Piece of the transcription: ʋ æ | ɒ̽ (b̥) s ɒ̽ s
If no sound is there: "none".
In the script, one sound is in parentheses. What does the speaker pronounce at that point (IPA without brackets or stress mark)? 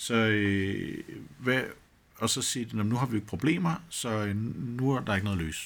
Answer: none